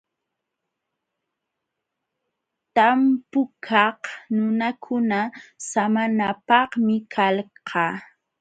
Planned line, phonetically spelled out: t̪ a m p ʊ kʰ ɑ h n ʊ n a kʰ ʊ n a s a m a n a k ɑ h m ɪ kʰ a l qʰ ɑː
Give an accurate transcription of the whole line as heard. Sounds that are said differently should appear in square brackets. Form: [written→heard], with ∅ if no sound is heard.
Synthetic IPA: t̪ a m p ʊ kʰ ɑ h n ʊ n a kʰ ʊ n a s a m a n a [k→p] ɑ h m ɪ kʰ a l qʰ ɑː